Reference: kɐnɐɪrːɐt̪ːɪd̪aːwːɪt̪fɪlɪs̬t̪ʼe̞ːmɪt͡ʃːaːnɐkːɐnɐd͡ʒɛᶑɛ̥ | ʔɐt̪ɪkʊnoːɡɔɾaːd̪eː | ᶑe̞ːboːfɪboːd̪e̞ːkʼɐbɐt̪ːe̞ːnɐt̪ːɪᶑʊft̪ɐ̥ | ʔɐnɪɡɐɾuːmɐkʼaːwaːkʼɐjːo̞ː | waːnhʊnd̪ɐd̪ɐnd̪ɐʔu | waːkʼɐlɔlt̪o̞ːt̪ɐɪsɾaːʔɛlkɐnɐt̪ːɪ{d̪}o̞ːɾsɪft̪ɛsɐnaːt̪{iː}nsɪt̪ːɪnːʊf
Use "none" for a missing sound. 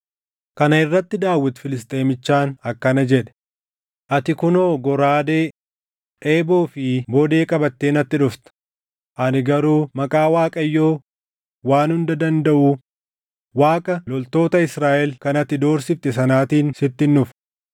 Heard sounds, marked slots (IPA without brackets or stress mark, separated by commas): d̪, iː